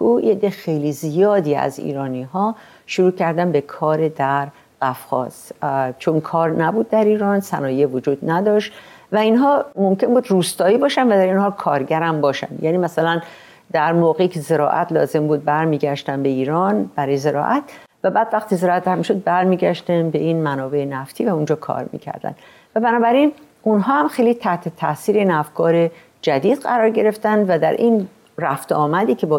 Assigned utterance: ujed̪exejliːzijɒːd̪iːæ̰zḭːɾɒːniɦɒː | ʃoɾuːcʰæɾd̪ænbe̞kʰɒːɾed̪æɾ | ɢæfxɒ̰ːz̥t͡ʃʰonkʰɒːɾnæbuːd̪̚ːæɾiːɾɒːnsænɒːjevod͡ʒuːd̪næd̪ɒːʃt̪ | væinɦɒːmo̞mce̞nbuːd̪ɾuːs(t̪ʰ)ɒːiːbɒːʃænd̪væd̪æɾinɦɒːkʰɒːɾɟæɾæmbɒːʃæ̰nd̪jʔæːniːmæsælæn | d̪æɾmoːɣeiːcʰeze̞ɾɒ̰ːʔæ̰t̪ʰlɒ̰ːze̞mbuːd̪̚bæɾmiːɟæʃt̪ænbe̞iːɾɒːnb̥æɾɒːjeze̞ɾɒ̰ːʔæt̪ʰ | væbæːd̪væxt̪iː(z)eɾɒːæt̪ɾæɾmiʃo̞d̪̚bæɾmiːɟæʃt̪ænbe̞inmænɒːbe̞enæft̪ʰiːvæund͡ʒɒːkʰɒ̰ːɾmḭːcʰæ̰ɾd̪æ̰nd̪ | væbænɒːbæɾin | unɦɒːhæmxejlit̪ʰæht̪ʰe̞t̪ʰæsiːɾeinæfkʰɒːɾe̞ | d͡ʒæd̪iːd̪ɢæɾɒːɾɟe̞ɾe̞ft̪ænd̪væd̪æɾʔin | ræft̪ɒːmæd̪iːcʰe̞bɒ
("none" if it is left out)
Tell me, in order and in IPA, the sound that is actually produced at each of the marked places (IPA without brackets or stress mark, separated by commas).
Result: t̪, z